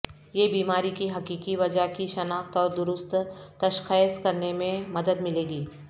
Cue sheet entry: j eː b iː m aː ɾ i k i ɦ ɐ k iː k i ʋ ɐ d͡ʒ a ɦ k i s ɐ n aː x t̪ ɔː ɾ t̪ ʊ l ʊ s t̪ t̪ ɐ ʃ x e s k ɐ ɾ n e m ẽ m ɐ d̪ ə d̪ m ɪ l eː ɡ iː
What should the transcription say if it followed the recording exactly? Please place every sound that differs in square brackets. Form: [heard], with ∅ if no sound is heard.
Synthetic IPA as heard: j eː b iː m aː ɾ i k i ɦ ɐ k iː k i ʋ ɐ d͡ʒ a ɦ k i [ʃ] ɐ n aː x t̪ ɔː ɾ [d̪] ʊ [ɾ] ʊ s t̪ t̪ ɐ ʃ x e s k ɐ ɾ n e m ẽ m ɐ d̪ ə d̪ m ɪ l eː ɡ iː